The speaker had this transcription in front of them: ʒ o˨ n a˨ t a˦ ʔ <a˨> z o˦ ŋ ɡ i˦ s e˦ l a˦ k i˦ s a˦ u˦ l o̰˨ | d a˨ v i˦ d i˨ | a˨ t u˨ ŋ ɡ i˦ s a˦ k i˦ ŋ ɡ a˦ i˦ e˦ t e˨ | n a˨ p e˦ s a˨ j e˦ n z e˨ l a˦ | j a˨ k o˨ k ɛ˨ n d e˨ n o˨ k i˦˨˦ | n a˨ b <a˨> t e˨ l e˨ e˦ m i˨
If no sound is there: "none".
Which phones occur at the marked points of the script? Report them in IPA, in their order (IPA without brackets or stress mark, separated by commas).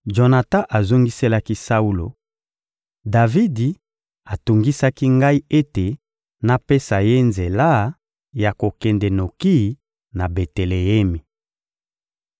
a˨, e˨